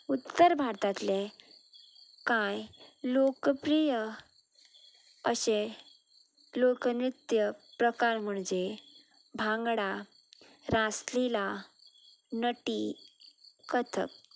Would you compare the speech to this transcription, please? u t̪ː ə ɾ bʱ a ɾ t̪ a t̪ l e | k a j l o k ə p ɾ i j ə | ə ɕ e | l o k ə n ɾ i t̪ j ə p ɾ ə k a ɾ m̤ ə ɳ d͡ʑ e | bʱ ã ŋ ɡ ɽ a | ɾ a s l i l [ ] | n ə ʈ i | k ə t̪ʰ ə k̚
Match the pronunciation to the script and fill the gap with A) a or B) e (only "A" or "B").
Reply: A